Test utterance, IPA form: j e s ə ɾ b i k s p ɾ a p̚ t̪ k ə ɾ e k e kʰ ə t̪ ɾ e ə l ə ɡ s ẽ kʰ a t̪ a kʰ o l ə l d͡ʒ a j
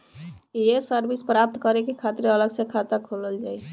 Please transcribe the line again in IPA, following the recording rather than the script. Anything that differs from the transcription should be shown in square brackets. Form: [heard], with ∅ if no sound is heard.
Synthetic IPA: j e s ə ɾ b i [∅] s p ɾ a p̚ t̪ k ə ɾ e k e kʰ [a] t̪ ɾ e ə l ə ɡ s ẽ kʰ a t̪ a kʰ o l ə l d͡ʒ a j